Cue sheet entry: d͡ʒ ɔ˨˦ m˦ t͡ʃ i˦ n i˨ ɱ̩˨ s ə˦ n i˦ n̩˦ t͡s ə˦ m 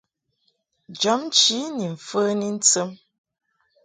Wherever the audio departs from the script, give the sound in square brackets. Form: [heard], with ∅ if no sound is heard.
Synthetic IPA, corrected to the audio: d͡ʒ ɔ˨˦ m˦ t͡ʃ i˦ n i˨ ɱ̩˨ [f] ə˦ n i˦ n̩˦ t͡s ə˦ m